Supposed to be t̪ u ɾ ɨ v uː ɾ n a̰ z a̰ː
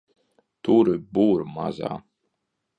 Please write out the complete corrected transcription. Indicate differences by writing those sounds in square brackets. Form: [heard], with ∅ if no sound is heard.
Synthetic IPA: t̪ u ɾ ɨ [b] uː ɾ [m] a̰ z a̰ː